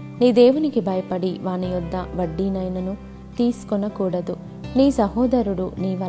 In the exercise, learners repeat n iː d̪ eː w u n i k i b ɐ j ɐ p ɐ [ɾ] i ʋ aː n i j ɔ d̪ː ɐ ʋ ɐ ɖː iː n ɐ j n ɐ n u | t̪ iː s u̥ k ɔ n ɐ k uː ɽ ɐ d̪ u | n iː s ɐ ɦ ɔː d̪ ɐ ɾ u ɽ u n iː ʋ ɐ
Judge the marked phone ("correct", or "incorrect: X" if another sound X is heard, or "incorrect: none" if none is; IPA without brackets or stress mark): incorrect: ɽ